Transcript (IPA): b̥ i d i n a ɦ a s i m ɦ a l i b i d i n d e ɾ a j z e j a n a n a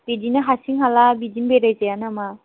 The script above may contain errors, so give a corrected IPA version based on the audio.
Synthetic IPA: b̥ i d i n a ɦ a s i ŋ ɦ a l a b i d i n b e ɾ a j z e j a n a m a